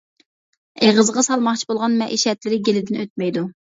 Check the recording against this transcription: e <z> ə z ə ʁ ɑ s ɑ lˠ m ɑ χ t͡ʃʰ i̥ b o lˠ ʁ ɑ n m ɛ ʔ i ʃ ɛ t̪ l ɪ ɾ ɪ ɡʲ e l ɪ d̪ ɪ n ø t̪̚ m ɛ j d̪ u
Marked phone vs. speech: incorrect: ʁ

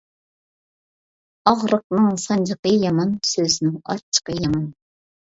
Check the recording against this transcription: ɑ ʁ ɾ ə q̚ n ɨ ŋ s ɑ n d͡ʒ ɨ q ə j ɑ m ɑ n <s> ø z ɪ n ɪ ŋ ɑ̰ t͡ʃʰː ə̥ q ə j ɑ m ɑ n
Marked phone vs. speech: correct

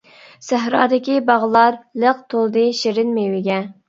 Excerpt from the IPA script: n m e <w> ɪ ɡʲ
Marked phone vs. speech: correct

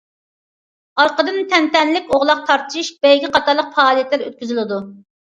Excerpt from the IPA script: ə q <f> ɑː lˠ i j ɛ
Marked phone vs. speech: correct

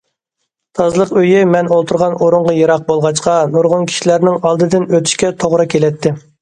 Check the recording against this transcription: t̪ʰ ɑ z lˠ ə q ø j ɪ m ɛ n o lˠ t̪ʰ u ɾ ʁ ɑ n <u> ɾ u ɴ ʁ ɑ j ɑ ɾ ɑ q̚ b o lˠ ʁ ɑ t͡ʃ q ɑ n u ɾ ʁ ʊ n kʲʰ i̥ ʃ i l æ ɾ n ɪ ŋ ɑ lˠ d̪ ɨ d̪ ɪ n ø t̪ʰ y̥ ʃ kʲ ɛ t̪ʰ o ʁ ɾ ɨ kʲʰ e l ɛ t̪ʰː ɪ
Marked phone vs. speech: incorrect: o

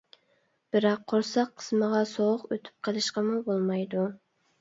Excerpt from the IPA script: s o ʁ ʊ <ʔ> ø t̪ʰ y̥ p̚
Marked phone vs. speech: incorrect: q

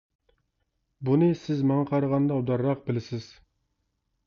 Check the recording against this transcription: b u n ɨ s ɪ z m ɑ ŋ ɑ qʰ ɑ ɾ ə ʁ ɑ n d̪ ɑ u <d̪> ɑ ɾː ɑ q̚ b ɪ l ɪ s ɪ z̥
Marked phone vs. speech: correct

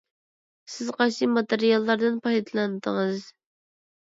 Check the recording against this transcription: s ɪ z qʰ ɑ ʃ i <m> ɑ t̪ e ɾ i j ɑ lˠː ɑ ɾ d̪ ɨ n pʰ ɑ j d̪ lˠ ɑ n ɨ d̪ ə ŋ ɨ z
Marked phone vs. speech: correct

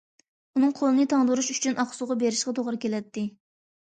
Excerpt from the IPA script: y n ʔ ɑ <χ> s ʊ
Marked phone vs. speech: correct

